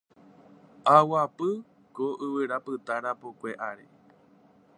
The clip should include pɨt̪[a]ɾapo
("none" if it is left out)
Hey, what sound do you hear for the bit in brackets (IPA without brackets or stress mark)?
a